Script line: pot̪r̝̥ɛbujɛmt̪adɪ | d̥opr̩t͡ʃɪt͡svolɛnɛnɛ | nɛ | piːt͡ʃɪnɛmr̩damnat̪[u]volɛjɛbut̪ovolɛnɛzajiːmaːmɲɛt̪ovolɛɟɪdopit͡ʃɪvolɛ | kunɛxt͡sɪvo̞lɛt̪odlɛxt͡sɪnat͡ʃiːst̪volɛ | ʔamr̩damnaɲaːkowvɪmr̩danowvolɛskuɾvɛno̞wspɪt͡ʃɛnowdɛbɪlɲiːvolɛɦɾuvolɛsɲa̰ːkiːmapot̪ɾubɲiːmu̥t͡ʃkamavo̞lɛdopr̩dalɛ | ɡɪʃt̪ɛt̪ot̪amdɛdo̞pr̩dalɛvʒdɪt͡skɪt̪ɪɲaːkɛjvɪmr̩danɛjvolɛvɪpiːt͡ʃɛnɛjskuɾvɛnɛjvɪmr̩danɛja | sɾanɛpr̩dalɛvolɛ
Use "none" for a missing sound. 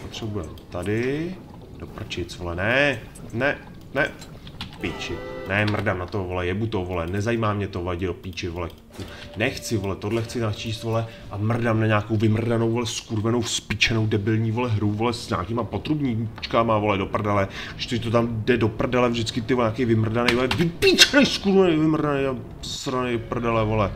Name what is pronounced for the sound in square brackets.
o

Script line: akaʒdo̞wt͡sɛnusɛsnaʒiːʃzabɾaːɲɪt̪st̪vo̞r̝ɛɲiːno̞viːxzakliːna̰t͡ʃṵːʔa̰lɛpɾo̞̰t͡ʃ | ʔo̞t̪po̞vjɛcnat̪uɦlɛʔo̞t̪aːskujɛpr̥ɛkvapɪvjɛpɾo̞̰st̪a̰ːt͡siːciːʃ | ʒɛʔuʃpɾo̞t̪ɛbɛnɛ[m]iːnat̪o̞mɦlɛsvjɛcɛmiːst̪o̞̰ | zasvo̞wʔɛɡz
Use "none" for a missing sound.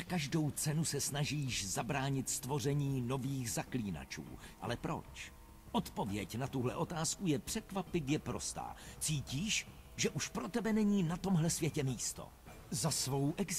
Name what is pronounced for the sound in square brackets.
ɲ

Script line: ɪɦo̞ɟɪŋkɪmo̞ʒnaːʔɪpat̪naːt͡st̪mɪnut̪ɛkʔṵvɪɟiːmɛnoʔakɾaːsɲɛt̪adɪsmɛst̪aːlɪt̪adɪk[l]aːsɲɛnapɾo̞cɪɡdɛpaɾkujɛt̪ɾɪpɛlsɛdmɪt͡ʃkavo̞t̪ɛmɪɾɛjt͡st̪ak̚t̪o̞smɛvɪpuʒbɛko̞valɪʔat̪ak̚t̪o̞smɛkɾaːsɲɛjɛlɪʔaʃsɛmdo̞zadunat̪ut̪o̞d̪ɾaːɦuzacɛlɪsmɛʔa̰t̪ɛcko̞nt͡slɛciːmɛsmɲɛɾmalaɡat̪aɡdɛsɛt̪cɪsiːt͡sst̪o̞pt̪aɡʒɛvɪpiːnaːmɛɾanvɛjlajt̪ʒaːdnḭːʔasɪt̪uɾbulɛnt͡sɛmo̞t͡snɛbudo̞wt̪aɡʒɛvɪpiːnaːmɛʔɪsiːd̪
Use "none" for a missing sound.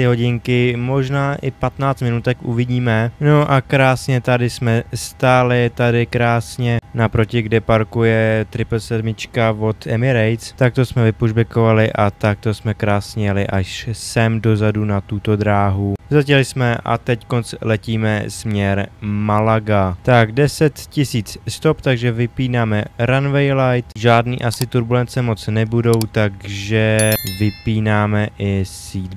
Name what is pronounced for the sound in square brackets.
ɾ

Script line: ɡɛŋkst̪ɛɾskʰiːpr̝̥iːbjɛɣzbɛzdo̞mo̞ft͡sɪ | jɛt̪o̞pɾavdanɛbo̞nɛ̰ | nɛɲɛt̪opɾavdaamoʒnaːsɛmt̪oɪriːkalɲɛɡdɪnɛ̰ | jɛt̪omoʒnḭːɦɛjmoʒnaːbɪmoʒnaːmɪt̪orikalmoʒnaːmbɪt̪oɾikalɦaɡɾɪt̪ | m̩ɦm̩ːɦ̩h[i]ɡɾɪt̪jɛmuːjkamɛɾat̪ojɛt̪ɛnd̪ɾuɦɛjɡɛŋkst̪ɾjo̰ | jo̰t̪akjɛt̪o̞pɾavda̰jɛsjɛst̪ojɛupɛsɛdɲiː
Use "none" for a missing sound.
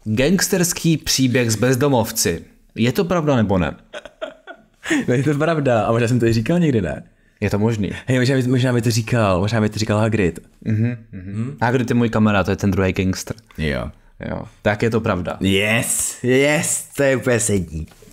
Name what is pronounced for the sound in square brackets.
a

